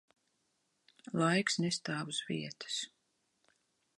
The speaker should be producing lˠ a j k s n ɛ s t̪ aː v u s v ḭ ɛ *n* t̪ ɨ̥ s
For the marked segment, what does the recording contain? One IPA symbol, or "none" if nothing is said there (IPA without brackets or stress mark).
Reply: none